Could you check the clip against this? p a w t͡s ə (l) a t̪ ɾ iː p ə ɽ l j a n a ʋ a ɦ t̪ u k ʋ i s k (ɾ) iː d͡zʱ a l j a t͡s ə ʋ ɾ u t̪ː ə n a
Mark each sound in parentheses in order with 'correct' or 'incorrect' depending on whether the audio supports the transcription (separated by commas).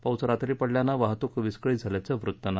incorrect, incorrect